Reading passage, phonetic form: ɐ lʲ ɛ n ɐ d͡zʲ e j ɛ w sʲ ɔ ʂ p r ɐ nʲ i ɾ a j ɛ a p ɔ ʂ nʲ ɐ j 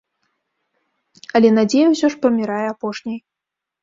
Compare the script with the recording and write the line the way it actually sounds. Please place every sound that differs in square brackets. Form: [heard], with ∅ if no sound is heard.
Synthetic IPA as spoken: ɐ lʲ ɛ n [a] d͡zʲ e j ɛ w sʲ ɔ ʂ p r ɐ [mʲ] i ɾ a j ɛ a p ɔ ʂ nʲ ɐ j